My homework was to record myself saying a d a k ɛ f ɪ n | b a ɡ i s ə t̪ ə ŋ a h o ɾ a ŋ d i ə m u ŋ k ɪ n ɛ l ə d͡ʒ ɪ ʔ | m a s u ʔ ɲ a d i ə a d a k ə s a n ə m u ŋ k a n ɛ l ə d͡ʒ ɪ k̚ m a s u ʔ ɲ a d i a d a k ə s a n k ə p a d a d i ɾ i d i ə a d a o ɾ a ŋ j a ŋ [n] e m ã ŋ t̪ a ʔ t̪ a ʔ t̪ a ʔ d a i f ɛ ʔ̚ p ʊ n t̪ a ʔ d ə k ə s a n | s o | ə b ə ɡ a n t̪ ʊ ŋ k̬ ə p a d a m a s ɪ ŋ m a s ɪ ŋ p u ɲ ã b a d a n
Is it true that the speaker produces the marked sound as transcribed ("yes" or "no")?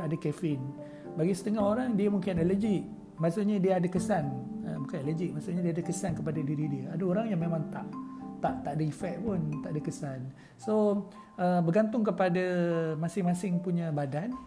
no